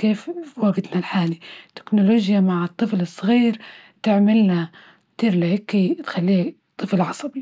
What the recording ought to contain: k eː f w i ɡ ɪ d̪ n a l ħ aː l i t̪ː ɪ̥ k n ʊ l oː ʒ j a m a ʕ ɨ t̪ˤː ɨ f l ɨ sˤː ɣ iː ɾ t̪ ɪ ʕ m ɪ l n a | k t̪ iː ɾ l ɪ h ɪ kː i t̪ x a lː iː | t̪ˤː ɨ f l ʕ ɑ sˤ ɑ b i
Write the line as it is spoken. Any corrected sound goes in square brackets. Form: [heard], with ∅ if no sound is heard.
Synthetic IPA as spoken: k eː f w [a] ɡ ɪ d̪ n a l ħ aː l i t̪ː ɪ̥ k n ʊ l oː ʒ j a m a ʕ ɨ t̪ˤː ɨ f l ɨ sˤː ɣ iː ɾ t̪ ɪ ʕ m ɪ l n a | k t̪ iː ɾ l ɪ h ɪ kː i t̪ x a lː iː | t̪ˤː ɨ f l ʕ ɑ sˤ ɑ b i